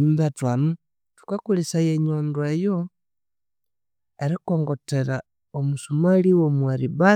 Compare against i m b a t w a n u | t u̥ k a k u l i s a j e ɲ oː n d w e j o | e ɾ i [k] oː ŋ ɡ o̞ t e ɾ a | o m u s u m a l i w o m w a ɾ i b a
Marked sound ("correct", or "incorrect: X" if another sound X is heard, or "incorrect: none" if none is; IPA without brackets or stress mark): correct